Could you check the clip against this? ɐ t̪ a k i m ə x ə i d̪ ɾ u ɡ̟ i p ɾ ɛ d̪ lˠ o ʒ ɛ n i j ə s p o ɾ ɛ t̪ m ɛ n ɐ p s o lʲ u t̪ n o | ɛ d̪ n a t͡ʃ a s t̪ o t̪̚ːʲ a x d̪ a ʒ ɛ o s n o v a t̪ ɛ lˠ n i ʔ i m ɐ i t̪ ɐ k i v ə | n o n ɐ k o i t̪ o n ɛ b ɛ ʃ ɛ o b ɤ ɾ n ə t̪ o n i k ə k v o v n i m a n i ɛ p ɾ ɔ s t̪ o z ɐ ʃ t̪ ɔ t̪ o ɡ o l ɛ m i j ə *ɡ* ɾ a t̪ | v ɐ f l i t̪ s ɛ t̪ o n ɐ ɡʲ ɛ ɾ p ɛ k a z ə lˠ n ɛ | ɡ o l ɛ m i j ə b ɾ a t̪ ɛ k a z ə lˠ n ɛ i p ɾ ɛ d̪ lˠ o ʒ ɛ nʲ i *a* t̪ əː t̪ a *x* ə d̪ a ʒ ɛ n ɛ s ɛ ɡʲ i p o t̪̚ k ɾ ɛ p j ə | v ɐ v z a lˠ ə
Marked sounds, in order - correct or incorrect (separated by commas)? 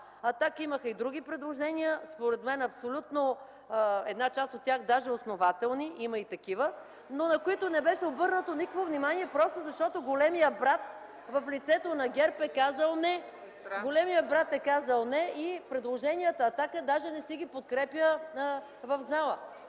incorrect, incorrect, incorrect